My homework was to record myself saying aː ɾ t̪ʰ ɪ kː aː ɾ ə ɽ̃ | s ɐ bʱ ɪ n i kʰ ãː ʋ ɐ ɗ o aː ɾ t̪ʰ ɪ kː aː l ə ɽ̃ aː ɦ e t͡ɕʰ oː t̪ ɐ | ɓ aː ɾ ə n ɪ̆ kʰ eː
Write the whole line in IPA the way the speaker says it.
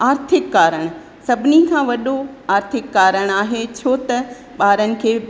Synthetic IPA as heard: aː ɾ t̪ʰ ɪ kː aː ɾ ə ɽ̃ | s ɐ bʱ ɪ n i kʰ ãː ʋ ɐ ɗ o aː ɾ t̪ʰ ɪ kː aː ɾ ə ɽ̃ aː ɦ e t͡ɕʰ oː t̪ ɐ | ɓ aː ɾ ə n ɪ̆ kʰ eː